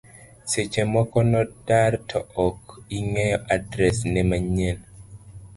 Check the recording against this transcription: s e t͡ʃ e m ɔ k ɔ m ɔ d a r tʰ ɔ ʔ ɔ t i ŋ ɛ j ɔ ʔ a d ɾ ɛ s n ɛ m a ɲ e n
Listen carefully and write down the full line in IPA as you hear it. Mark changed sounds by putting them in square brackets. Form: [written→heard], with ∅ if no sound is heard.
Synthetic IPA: s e t͡ʃ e m ɔ k ɔ [m→n] ɔ d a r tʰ ɔ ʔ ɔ [t→k] i ŋ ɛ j ɔ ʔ a d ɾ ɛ s n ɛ m a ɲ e n